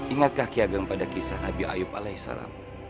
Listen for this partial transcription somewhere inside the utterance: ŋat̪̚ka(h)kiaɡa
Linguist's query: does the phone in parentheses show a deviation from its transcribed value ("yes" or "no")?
no